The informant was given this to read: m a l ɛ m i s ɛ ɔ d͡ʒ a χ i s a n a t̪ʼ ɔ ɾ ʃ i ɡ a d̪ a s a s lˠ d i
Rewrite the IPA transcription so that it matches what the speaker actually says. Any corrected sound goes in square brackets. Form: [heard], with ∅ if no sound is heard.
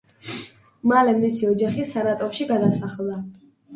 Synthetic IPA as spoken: m a l ɛ m i s [i] ɔ d͡ʒ a χ i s a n a t̪ʼ ɔ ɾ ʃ i ɡ a d̪ a s a [χ] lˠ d [a]